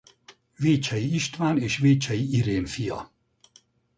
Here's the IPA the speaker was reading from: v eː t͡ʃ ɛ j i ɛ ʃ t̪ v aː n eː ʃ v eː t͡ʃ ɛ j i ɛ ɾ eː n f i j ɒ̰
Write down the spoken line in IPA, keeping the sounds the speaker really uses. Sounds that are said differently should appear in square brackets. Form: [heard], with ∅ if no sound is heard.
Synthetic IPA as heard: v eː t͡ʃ ɛ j i [i] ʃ t̪ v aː n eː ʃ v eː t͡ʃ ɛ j i [i] ɾ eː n f i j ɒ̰